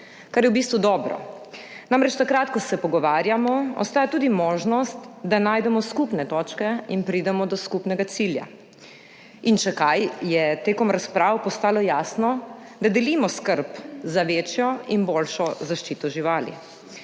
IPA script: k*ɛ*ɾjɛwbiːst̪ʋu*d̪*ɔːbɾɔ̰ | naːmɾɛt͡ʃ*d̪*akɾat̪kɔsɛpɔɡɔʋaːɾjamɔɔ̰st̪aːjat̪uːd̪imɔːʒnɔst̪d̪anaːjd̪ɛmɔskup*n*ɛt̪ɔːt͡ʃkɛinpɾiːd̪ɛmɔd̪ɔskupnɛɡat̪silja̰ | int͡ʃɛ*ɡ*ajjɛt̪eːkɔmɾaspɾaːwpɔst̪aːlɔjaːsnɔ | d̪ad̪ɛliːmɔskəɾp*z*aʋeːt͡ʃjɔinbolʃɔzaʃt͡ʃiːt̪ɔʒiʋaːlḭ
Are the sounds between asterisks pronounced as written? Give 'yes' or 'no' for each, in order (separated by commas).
no, yes, no, yes, no, yes